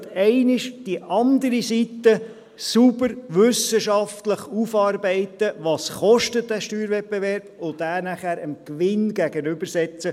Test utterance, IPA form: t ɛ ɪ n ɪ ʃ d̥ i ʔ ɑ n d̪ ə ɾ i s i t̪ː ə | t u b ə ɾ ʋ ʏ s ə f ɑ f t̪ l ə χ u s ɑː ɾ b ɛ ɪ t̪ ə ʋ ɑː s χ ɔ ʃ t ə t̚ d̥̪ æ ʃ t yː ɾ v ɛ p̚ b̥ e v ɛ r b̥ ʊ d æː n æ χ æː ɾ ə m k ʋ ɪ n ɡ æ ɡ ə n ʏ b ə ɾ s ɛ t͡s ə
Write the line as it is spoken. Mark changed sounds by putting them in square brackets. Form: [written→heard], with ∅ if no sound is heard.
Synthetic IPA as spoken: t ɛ ɪ n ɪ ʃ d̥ i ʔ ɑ n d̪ ə ɾ i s i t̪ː ə | [t→s] u b ə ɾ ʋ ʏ s ə [f→ʃ] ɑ f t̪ l ə χ u [s→f] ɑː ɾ b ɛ ɪ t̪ ə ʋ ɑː s χ ɔ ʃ t ə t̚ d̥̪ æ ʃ t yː ɾ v ɛ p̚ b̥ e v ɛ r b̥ ʊ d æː n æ χ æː ɾ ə m k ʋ ɪ n ɡ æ ɡ ə n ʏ b ə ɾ s ɛ t͡s ə